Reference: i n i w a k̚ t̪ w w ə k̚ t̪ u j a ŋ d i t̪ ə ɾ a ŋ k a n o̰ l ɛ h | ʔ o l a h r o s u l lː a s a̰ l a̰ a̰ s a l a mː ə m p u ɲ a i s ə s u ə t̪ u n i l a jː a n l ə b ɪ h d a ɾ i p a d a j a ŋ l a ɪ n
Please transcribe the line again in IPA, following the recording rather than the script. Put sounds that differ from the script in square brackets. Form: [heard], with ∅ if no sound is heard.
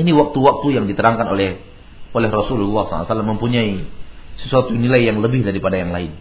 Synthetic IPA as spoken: i n i w a k̚ t̪ [u] w [a] k̚ t̪ u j a ŋ d i t̪ ə ɾ a ŋ k a n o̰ l ɛ h | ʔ o l [ɛ] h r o s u l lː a s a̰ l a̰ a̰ s a l a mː ə m p u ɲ a i s ə s u [a] t̪ u n i l a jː a [ŋ] l ə b ɪ h d a ɾ i p a d a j a ŋ l a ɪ n